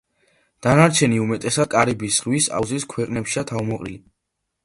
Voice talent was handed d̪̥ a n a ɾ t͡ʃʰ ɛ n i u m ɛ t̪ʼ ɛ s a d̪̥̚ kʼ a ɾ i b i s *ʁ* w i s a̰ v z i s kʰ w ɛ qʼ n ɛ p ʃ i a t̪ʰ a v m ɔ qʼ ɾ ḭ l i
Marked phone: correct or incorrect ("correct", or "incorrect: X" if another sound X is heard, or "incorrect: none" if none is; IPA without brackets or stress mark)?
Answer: correct